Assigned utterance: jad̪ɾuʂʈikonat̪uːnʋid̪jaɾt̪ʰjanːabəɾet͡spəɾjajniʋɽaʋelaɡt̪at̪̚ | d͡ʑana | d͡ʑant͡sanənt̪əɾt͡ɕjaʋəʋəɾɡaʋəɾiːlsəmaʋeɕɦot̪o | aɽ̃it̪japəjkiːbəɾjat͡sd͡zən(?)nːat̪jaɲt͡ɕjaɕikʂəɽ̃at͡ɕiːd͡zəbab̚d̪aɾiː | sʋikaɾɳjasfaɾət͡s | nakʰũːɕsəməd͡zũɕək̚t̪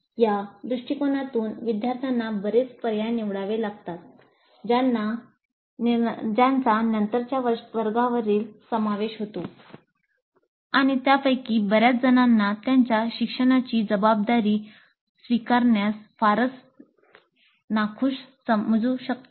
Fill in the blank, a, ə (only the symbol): a